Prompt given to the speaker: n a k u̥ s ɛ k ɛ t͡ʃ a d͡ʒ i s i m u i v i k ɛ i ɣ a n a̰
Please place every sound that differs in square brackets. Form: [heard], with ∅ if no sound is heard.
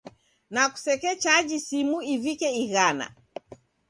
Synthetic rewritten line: n a k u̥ s ɛ k ɛ t͡ʃ a d͡ʒ i s i m u i v i k ɛ i ɣ a n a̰